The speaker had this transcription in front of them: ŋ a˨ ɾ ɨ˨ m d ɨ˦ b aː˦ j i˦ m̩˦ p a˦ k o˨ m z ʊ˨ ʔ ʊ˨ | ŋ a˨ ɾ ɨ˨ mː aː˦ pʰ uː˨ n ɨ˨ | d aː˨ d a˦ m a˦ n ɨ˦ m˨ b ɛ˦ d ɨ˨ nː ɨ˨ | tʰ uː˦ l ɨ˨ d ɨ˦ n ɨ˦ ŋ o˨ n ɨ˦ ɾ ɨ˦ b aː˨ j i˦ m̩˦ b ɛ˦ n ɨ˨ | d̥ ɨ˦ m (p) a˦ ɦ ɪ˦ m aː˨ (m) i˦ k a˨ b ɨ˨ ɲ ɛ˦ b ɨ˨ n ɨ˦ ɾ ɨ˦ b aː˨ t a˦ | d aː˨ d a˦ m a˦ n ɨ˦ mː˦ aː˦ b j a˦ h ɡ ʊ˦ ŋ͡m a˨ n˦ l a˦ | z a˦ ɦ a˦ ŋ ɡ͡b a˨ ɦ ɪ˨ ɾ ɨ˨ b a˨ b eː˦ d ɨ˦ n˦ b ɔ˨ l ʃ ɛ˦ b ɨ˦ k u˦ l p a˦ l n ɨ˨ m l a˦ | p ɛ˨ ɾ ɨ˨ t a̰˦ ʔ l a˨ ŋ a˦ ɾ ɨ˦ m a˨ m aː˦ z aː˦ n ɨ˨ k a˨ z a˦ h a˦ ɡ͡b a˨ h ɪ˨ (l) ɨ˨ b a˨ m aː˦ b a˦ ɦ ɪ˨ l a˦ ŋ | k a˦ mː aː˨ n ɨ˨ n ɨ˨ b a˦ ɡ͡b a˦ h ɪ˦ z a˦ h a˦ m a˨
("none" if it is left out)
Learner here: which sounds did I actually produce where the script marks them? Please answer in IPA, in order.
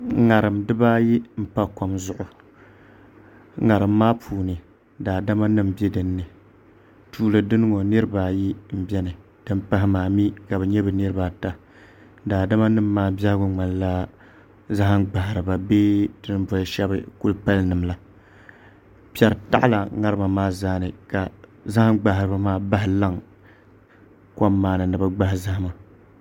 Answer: p, m, ɾ

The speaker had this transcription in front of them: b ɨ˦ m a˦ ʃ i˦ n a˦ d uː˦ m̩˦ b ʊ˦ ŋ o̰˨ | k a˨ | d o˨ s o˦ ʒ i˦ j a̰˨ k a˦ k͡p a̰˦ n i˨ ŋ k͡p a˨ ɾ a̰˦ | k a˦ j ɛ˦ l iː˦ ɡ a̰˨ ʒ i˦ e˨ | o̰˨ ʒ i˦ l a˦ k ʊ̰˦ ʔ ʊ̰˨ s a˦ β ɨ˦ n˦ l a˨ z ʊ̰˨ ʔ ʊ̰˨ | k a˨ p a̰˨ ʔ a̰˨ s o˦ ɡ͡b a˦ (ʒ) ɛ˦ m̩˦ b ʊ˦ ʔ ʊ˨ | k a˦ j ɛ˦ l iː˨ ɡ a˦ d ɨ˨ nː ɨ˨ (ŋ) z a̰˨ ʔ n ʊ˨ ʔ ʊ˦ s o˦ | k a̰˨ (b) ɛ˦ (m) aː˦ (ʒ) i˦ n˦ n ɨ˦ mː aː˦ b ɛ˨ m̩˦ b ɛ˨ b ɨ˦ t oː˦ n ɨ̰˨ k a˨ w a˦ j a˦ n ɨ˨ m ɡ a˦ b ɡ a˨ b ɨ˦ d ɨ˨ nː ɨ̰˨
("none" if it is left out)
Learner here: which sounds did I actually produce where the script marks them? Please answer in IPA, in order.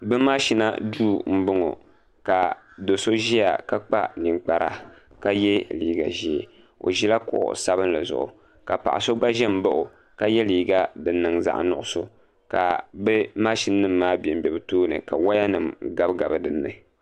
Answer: ʒ, ŋ, b, m, ʃ

